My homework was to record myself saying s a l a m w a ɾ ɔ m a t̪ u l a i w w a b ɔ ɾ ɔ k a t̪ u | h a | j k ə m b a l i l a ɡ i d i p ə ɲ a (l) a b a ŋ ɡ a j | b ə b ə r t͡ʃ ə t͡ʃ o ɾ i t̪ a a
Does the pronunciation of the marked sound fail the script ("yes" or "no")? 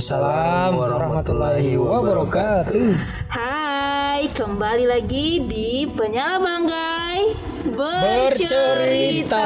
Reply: no